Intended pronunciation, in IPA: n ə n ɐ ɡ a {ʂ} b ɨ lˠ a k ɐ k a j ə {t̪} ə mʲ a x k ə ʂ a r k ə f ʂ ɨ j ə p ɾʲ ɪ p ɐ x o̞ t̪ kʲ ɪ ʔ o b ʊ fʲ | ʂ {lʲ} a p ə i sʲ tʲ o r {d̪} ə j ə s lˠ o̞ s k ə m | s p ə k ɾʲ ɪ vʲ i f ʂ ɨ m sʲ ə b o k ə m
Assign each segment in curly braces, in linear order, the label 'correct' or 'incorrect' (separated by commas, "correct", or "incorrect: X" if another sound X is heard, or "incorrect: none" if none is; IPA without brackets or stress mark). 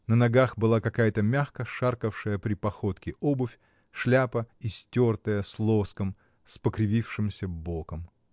incorrect: x, correct, correct, incorrect: t̪